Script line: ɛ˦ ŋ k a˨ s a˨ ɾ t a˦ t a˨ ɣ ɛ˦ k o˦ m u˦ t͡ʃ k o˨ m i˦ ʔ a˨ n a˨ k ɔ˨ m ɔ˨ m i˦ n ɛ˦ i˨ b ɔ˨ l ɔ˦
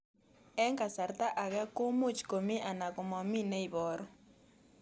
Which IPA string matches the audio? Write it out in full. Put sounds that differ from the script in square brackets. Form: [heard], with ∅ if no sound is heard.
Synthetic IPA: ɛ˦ ŋ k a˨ s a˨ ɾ t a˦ [ʔ] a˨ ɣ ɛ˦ k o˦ m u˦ t͡ʃ k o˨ m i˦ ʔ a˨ n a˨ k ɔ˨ m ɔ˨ m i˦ n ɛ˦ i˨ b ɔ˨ [ɾ] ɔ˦